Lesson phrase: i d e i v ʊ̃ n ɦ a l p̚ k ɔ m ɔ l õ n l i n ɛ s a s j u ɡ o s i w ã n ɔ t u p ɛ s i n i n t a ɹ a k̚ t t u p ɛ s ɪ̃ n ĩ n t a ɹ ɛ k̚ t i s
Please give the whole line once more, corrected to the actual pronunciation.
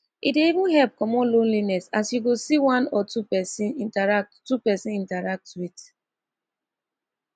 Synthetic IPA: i d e i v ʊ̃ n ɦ ɛ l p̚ k ɔ m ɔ l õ n l i n ɛ s a s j u ɡ o s i w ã n ɔ t u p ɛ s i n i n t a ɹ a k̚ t t u p ɛ s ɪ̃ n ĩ n t a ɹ a k̚ t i t